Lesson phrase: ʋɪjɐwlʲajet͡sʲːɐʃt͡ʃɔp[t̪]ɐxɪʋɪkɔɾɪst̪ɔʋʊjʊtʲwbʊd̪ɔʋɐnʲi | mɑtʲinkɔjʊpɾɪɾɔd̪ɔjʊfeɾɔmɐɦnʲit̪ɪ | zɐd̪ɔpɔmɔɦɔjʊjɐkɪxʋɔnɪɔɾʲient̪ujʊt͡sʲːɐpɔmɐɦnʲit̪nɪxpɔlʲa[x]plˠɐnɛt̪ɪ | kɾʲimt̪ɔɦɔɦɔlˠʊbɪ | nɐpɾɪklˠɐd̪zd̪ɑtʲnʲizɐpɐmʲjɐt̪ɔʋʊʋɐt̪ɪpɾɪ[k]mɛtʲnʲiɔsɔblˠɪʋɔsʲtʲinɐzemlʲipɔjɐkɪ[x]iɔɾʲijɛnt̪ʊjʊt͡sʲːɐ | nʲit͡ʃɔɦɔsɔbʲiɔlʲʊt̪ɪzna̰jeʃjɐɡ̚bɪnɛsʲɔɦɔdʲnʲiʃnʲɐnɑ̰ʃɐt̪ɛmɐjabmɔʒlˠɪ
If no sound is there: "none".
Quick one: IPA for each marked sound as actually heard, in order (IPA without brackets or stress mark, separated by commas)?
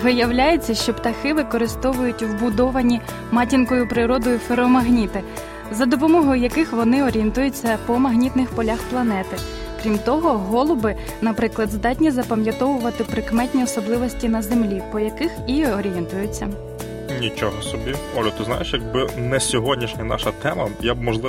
t̪, x, k, x